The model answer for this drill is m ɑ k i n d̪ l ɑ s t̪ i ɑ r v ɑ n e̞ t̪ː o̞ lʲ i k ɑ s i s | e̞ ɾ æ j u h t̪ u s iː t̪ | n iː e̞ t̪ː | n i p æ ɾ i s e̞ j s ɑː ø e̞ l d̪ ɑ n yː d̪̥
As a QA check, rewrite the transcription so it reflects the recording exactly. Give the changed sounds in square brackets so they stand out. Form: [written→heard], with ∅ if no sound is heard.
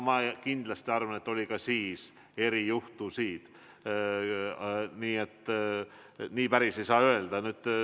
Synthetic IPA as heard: m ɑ k i n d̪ l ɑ s t̪ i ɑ r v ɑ n e̞ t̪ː o̞ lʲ i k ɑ s [i→iː] s | e̞ ɾ [æ→i] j u h t̪ u s iː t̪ | n iː e̞ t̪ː | n [i→iː] p æ ɾ i s e̞ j s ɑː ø e̞ l d̪ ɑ n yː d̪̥